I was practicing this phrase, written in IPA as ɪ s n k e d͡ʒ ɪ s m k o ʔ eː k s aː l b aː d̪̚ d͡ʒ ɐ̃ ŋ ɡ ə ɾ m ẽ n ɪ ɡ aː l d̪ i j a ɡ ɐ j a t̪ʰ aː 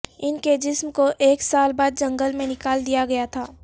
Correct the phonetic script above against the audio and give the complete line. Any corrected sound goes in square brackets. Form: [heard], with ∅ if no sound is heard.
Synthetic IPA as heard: ɪ [∅] n k e d͡ʒ ɪ s m k o ʔ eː k s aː l b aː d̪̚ d͡ʒ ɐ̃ ŋ ɡ ə [l] m ẽ n ɪ [k] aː l d̪ i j a ɡ ɐ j a t̪ʰ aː